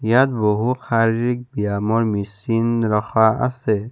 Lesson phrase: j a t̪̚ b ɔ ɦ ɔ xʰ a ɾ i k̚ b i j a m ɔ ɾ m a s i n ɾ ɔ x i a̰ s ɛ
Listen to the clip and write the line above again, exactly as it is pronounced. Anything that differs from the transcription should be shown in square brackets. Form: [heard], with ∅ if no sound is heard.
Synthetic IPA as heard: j a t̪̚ b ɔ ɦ [u] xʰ a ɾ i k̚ b i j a m ɔ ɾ m [i] s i n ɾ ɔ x [a] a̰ s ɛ